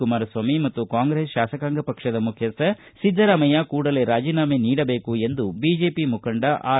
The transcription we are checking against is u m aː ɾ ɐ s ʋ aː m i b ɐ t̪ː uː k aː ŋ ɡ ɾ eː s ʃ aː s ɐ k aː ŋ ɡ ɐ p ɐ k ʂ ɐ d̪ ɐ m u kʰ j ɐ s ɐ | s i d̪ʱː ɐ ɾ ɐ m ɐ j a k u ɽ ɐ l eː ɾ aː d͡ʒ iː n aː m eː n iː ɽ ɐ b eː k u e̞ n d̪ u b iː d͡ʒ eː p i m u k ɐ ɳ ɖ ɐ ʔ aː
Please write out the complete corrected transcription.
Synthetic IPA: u m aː ɾ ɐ s ʋ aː m i m ɐ t̪ː u k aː ŋ ɡ ɾ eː s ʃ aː s ɐ k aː ŋ ɡ ɐ p ɐ k ʂ ɐ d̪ ɐ m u kʰ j ɐ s ɐ | s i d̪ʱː ɐ ɾ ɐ m ɐ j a k uː ɽ ɐ l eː ɾ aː d͡ʒ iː n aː m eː n iː ɽ ɐ b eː k u e̞ n d̪ u b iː d͡ʒ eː p i m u k ɐ ɳ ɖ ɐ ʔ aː